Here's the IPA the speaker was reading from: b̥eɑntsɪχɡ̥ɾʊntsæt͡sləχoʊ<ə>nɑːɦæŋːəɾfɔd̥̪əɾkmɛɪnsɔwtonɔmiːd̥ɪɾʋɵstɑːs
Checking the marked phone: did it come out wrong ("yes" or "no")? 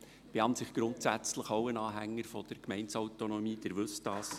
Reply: no